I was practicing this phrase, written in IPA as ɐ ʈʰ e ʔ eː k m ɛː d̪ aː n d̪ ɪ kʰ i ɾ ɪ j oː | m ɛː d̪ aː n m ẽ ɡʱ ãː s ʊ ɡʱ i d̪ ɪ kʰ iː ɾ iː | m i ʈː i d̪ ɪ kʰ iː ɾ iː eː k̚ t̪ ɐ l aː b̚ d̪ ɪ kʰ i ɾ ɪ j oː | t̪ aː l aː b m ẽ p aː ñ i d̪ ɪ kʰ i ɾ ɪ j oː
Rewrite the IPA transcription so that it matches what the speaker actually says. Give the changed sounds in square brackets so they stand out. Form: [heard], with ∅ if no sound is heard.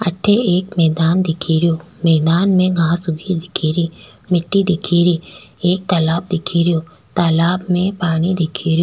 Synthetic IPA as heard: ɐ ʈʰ e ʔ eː k m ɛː d̪ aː n d̪ ɪ kʰ i ɾ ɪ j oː | m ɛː d̪ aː n m ẽ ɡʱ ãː s ʊ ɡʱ i d̪ ɪ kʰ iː ɾ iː | m [ɪ] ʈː i d̪ ɪ kʰ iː ɾ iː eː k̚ t̪ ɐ l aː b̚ d̪ ɪ kʰ i ɾ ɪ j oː | t̪ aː l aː b m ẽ p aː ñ i d̪ ɪ kʰ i ɾ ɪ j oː